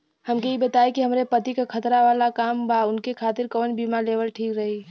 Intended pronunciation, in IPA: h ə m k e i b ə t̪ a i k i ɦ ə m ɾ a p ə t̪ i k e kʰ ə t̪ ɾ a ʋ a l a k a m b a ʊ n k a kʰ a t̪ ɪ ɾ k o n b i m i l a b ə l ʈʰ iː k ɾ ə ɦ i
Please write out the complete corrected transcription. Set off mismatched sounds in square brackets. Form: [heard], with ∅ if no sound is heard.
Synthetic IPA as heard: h ə m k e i b ə t̪ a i k i ɦ ə m ɾ [e] p ə t̪ i k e kʰ ə t̪ ɾ a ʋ a l a k a m b a ʊ n k [e] kʰ a t̪ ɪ ɾ k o n b i m [a] l [e] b ə l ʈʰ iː k ɾ ə ɦ i